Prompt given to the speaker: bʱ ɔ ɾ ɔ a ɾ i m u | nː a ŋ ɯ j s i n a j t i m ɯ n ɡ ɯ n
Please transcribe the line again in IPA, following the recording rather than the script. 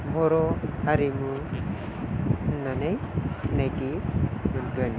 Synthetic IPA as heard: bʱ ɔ ɾ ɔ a ɾ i m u | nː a n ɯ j s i n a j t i m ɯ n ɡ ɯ n

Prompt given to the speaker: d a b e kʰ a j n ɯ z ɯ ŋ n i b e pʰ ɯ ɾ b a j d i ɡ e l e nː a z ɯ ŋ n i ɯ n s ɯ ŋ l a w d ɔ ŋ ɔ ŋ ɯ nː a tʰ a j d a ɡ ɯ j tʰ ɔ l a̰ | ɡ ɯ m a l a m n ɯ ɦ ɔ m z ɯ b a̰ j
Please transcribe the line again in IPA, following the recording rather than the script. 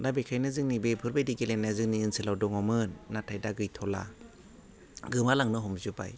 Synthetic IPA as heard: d a b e kʰ a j n ɯ z ɯ ŋ n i b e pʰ ɯ ɾ b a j d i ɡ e l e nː a z ɯ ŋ n i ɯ n s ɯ l a w d ɔ ŋ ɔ m ɯ nː a tʰ a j d a ɡ ɯ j tʰ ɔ l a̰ | ɡ ɯ m a l a ŋ n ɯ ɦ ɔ m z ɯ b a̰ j

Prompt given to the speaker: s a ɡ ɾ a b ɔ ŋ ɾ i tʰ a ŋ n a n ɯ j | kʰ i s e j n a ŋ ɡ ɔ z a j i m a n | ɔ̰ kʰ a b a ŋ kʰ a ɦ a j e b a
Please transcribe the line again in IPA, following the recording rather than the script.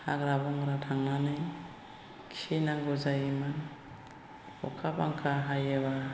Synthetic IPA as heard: h a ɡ ɾ a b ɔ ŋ ɾ a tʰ a ŋ n a n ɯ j | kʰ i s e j n a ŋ ɡ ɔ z a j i m a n | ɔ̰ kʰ a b a ŋ kʰ a ɦ a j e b a

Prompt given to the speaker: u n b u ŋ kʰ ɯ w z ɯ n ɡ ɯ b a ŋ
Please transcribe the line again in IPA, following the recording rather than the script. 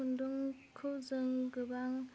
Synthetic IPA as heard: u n d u ŋ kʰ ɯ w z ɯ ŋ ɡ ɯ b a ŋ

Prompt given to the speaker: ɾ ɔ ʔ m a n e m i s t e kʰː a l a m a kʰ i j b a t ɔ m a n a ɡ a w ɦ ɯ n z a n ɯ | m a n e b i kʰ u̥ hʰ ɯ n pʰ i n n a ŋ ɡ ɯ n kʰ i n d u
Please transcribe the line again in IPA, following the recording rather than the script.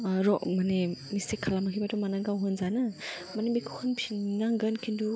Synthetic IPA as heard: ɾ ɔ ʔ m a n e m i s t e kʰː a l a m a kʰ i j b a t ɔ m a n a ɡ a w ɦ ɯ n z a n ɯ | m a n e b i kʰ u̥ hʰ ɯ n pʰ i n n a ŋ ɡ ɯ n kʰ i n d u

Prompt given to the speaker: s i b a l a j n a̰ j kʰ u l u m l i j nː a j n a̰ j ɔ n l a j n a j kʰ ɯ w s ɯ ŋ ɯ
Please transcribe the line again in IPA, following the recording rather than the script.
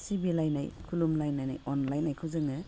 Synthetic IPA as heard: s i b i l a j n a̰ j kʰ u l u m l a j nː a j n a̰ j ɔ n l a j n a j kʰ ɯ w z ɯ ŋ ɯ

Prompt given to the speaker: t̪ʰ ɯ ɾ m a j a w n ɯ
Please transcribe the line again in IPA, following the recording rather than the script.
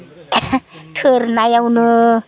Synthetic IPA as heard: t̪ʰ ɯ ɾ n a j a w n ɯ

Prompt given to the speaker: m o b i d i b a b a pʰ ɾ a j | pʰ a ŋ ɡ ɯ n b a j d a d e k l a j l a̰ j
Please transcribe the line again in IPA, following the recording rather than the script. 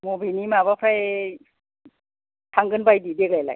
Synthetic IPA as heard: m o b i n i m a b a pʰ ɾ a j | tʰ a ŋ ɡ ɯ n b a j d i d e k l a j l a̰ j

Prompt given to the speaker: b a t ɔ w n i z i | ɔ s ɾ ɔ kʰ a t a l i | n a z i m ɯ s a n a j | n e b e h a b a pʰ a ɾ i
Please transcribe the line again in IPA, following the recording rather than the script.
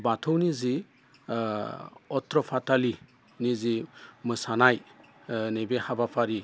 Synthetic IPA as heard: b a tʰ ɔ w n i z i | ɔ t ɾ ɔ pʰ a t a l i | n i z i m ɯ s a n a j | n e b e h a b a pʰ a ɾ i

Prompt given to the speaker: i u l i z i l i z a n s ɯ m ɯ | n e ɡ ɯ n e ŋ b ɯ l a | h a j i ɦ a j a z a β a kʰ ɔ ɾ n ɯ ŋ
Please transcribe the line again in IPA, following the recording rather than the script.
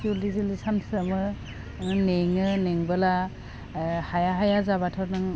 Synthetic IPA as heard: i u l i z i l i s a n s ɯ m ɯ | n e ŋ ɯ n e ŋ b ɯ l a | h a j a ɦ a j a z a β a tʰ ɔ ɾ n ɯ ŋ

